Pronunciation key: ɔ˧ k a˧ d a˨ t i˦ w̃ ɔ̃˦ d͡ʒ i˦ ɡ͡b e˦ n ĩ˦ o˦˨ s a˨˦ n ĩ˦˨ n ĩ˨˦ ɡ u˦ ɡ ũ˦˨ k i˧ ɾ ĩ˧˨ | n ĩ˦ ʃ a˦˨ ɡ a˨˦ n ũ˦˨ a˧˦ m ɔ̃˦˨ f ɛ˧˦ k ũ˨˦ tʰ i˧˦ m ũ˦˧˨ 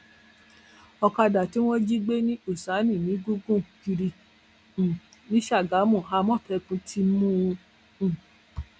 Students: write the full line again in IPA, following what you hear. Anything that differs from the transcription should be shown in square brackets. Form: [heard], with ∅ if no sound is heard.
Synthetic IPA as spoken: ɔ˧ k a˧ d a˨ t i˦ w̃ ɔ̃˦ d͡ʒ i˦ ɡ͡b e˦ n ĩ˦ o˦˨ s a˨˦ n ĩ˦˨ n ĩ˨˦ ɡ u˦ ɡ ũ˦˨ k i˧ ɾ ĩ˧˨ | n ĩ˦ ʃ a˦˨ ɡ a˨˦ [m] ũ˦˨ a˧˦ m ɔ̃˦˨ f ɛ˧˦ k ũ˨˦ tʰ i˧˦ m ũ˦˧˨